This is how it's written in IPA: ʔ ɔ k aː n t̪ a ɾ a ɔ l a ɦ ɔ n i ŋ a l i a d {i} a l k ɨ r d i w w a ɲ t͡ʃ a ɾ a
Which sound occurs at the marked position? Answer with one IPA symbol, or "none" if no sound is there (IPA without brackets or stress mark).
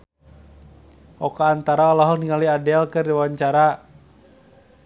ɛ